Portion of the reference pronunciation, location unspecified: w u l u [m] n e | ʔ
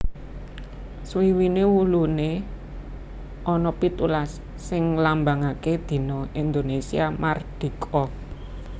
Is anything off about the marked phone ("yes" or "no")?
yes